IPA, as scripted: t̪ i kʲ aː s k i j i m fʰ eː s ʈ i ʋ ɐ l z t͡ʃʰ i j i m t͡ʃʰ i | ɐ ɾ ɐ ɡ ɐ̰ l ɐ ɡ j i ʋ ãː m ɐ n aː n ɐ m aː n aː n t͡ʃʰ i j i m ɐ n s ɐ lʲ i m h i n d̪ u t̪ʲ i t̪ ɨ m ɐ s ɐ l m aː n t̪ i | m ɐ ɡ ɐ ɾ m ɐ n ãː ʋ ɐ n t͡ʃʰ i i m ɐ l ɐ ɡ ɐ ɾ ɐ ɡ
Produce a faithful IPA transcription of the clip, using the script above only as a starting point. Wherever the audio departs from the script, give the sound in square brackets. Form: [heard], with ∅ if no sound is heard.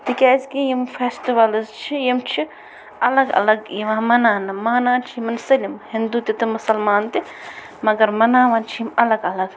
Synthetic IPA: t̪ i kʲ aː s k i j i m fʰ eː s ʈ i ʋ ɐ l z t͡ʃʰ i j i m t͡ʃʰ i | ɐ [l] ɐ ɡ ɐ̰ l ɐ ɡ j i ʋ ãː m ɐ n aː n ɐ m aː n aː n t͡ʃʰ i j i m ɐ n s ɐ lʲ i m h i n d̪ u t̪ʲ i t̪ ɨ m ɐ s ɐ l m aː n t̪ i | m ɐ ɡ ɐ ɾ m ɐ n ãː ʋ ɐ n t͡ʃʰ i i m ɐ l ɐ ɡ ɐ [l] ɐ ɡ